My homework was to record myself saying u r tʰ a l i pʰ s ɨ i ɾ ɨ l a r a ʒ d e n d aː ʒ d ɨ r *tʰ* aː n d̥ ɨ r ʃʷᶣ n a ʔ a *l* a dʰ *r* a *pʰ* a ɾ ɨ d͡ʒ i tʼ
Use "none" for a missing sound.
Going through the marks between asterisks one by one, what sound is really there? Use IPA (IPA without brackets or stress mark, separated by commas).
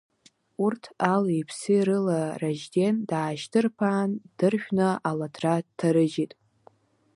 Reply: pʰ, l, r, tʰ